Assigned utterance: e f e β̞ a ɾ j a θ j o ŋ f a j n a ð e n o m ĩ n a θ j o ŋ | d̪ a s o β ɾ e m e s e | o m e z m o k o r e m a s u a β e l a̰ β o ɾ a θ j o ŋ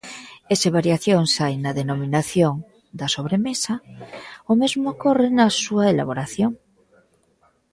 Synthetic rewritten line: e s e β̞ a ɾ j a θ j o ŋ s a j n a ð e n o m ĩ n a θ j o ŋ | d̪ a s o β ɾ e m e s a | o m e z m o k o r e n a s u a e l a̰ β o ɾ a θ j o ŋ